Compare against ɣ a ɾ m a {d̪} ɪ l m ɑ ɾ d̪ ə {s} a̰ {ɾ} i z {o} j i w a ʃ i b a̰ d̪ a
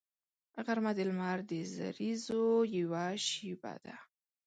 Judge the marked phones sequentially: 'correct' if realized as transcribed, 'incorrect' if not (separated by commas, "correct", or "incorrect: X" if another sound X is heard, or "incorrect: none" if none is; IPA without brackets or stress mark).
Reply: correct, incorrect: z, correct, correct